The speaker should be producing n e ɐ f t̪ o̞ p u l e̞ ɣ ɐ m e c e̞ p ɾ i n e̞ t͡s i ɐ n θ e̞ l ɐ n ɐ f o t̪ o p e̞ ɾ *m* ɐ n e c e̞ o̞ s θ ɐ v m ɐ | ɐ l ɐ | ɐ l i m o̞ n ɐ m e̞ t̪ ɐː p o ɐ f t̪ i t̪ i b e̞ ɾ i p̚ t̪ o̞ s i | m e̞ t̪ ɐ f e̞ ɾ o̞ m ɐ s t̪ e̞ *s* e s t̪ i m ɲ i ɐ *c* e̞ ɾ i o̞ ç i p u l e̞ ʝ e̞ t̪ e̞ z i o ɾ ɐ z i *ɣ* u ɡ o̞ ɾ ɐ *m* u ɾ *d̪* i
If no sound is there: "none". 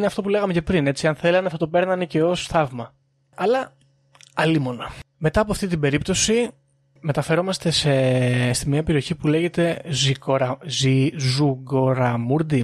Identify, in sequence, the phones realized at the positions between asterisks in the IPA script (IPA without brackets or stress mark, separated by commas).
n, s, p, z, m, d̪